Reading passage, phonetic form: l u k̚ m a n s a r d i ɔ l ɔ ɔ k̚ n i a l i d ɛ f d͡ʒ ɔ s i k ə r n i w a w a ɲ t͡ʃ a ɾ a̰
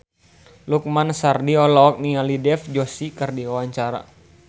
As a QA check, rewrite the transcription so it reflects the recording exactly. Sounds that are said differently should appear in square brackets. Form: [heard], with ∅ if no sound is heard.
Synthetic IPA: l u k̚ m a n s a r d i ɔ l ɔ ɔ k̚ n i a l i d ɛ f d͡ʒ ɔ s i k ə r [d] i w a w a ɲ t͡ʃ a ɾ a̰